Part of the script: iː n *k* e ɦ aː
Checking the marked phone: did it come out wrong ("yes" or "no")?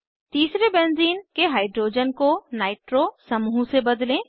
no